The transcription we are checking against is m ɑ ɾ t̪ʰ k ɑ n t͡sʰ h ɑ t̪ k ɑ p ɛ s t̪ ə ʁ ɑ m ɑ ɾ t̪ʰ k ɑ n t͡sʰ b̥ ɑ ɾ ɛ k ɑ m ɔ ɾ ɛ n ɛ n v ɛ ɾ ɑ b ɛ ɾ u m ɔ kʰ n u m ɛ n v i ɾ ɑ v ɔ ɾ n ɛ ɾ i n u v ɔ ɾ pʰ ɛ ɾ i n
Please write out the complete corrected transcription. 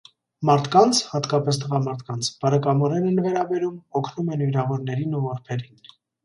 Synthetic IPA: m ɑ ɾ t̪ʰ k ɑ n t͡sʰ h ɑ t̪ k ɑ p ɛ s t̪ ə ʁ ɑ m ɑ ɾ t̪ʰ k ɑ n t͡sʰ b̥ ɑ ɾ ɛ k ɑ m ɔ ɾ ɛ n ɛ n v ɛ ɾ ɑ b ɛ ɾ u m ɔ kʰ n u m ɛ n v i ɾ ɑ v ɔ ɾ n ɛ ɾ i n u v ɔ ɾ pʰ ɛ ɾ i n